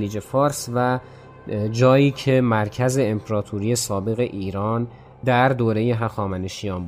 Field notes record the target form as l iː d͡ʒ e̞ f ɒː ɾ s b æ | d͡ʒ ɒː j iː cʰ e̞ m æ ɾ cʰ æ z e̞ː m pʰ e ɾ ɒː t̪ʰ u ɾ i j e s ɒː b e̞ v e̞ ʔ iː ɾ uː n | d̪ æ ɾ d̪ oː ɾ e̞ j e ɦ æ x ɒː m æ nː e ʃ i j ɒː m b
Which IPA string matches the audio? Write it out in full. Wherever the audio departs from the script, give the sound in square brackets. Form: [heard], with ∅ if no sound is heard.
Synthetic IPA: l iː d͡ʒ e̞ f ɒː ɾ s [v] æ | d͡ʒ ɒː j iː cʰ e̞ m æ ɾ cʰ æ z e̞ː m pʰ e ɾ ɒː t̪ʰ u ɾ i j e s ɒː b e̞ [ɣ] e̞ ʔ iː ɾ [ɒː] n | d̪ æ ɾ d̪ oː ɾ e̞ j e ɦ æ x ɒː m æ [n] e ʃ i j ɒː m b